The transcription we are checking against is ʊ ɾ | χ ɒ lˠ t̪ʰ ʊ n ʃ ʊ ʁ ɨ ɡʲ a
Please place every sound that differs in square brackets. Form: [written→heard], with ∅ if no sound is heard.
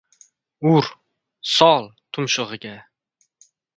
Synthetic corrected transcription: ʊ ɾ | [χ→s] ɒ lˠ t̪ʰ ʊ [n→m] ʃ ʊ ʁ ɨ ɡʲ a